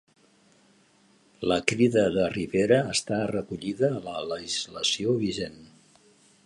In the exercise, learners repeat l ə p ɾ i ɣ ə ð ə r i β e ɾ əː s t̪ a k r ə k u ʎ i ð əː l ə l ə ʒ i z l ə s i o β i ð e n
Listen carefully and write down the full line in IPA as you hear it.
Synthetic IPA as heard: l ə k ɾ i ð ə ð ə r i β e ɾ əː s t̪ a r ə k u ʎ i ð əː l ə l ə ʒ i z l ə s i o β i ʒ e n